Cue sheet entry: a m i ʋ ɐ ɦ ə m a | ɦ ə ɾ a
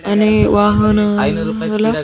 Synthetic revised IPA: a n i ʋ a ɦ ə n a | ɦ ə l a